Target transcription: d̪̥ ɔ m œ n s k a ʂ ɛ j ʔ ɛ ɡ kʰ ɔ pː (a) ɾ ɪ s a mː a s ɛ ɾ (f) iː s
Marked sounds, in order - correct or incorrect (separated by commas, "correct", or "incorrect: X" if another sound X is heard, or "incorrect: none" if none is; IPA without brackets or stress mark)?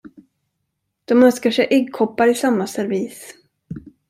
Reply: correct, incorrect: v